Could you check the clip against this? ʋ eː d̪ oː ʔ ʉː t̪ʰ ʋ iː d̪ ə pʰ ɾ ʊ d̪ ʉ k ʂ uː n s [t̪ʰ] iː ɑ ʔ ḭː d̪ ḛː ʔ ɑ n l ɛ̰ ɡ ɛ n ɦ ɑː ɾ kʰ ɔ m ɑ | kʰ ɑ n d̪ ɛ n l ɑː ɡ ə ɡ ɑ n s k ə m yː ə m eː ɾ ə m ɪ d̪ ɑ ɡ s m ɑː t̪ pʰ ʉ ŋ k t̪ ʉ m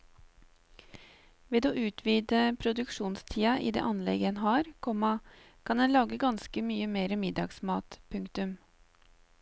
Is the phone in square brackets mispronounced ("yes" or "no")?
no